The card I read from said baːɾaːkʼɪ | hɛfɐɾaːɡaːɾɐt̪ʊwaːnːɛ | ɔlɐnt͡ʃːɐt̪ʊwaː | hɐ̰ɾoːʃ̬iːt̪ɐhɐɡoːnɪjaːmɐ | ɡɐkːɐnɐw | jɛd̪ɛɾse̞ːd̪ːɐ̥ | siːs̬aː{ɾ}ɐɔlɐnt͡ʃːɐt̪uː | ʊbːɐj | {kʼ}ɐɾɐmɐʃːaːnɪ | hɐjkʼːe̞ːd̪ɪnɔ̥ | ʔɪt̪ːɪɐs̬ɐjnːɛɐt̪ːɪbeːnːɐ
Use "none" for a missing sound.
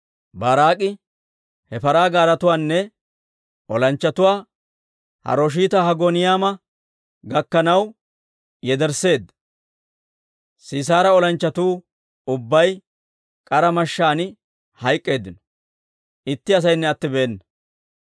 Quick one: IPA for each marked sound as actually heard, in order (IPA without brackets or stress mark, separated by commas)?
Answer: ɾ, kʼ